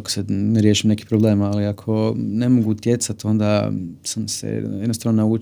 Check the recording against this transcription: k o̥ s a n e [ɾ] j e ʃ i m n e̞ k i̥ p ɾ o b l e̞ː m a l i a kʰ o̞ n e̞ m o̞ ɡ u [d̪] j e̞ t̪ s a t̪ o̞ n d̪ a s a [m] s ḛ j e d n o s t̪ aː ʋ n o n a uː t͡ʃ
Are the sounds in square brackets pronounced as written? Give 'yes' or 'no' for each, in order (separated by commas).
yes, no, yes